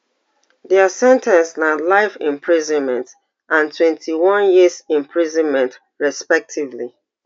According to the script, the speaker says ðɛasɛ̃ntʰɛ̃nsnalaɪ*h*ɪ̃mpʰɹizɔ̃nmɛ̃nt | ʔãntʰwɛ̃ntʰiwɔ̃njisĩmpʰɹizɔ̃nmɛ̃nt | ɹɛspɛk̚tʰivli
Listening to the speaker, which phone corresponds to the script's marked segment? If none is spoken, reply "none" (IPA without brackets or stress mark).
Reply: f